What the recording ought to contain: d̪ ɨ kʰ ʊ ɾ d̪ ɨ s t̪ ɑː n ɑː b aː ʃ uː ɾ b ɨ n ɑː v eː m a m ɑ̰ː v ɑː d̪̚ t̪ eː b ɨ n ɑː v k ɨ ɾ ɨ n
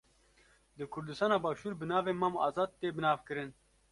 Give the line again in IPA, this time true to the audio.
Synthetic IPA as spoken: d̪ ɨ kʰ ʊ ɾ d̪ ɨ s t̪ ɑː n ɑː b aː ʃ uː ɾ b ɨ n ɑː v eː m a m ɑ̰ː z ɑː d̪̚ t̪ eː b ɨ n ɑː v k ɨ ɾ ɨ n